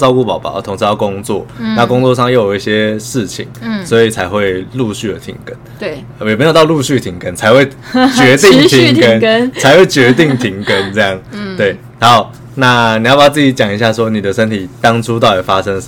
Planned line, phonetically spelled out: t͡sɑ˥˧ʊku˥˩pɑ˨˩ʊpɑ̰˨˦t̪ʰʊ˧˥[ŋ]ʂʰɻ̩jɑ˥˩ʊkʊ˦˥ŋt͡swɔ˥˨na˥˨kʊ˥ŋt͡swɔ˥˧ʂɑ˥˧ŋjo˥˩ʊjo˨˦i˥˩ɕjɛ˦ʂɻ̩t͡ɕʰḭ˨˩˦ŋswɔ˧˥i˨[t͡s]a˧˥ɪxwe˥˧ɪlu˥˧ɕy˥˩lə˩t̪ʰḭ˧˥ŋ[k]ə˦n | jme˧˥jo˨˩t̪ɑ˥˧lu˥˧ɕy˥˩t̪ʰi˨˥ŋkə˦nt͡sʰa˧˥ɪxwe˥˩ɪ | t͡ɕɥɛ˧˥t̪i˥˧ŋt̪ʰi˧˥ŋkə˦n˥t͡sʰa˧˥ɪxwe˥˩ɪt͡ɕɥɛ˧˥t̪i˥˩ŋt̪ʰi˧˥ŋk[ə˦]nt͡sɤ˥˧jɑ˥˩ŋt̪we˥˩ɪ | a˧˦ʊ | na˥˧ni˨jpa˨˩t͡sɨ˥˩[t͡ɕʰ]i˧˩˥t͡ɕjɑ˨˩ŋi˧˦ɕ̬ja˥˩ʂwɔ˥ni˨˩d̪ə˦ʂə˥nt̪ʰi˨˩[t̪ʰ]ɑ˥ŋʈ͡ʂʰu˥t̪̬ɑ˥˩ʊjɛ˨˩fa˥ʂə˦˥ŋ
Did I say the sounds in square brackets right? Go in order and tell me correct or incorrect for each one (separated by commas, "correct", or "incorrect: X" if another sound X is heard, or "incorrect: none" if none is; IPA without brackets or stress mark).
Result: correct, incorrect: t͡sʰ, correct, correct, incorrect: t͡ɕ, incorrect: t̪